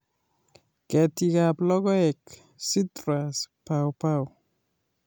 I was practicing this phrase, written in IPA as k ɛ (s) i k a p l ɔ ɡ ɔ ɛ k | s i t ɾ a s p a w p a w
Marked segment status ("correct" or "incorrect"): incorrect